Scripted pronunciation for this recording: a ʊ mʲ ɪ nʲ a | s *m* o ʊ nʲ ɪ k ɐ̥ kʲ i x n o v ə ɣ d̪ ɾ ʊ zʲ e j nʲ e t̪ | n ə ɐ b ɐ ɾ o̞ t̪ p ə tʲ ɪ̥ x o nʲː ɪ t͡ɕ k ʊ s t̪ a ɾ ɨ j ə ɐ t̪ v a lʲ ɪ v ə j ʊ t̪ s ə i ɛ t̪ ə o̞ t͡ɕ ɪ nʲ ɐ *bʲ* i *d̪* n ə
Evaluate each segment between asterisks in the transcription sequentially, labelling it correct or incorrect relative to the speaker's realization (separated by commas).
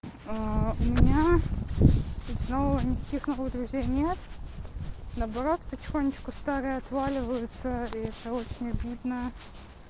incorrect, correct, correct